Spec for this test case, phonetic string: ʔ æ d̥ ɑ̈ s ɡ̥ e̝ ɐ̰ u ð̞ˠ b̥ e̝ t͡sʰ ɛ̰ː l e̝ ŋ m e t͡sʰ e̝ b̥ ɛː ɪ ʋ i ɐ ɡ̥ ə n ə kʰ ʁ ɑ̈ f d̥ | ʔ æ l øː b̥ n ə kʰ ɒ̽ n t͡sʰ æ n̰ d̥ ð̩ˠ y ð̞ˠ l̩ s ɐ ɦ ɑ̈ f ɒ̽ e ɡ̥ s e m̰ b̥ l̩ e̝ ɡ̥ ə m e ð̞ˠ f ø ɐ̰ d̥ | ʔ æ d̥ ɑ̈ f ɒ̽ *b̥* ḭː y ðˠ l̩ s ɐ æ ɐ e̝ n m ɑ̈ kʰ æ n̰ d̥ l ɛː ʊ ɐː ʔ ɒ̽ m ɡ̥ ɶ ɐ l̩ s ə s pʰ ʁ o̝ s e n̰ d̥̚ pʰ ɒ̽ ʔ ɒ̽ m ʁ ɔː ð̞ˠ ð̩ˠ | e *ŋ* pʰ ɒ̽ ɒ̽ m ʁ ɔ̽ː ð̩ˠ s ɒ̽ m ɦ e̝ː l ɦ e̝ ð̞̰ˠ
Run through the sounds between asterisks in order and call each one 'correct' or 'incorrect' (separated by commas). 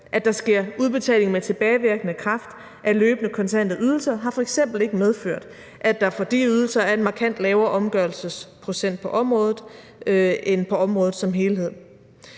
incorrect, incorrect